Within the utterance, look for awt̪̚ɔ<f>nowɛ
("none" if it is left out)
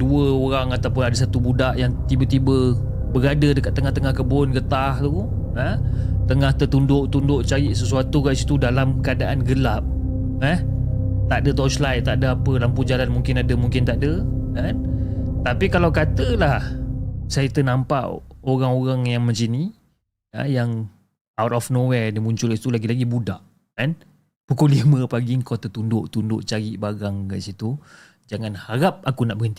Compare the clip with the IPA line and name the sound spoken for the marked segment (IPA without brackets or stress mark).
f